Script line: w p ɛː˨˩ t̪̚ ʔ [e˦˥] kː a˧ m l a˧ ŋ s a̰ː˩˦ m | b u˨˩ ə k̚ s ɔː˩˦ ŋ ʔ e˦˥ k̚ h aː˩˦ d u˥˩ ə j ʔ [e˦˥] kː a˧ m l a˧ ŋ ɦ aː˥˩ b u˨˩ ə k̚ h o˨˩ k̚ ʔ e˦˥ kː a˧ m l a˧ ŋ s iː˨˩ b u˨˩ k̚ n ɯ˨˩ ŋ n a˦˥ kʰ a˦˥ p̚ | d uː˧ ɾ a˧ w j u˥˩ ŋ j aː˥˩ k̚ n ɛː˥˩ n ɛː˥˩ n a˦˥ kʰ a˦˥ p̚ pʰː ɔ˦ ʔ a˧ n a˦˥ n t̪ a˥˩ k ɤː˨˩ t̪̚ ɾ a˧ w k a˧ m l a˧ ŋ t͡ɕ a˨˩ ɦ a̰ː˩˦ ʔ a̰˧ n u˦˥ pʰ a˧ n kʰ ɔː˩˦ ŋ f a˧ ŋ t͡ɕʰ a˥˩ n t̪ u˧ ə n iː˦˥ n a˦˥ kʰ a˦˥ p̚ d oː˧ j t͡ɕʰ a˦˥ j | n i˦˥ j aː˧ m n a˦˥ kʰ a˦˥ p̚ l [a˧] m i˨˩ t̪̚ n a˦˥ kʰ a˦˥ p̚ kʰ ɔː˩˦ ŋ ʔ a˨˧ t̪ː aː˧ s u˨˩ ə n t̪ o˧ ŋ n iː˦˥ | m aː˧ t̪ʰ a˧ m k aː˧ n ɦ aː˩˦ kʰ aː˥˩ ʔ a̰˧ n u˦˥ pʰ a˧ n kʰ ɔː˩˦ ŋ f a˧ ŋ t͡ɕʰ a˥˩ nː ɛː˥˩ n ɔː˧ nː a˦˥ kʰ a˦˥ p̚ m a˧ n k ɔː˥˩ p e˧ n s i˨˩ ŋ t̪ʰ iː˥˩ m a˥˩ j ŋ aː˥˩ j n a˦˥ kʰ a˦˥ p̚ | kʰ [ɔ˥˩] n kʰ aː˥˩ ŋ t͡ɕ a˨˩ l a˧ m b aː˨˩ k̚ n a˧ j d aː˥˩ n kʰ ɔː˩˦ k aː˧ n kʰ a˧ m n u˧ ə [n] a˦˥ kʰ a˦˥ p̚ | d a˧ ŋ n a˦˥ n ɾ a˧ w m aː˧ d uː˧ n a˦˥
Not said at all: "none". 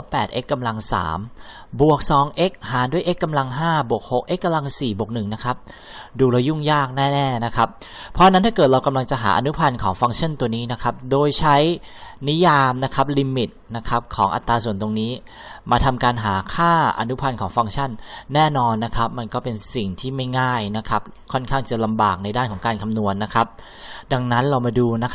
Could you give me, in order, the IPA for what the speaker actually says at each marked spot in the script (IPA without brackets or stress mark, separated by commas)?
e˦˥, e˦˥, i˧, ɔ˥˩, nː